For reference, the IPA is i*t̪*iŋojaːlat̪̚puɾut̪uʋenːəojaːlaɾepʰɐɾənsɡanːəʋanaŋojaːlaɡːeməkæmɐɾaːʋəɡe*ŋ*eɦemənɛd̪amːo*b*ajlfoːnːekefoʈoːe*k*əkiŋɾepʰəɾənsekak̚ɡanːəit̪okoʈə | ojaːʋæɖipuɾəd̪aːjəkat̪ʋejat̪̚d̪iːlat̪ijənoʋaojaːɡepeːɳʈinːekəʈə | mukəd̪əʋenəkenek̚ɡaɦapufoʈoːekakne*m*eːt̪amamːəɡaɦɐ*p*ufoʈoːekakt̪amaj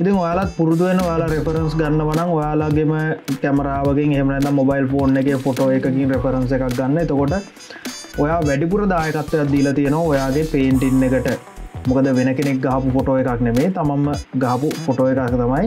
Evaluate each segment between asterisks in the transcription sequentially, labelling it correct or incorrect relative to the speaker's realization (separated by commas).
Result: correct, correct, correct, correct, correct, correct